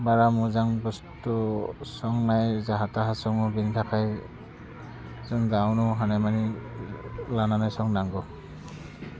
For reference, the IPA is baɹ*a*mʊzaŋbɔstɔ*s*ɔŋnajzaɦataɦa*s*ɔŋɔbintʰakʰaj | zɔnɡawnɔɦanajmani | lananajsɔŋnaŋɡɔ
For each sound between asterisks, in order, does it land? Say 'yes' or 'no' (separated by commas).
yes, yes, yes